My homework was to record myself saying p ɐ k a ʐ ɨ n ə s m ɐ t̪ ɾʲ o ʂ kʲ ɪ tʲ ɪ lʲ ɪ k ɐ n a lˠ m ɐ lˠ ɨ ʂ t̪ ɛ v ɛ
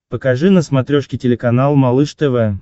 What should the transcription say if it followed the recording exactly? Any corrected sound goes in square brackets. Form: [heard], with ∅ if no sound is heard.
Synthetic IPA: p [ə] k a ʐ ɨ n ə s m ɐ t̪ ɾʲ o ʂ kʲ ɪ tʲ ɪ lʲ ɪ k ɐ n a lˠ m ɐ lˠ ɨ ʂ t̪ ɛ v ɛ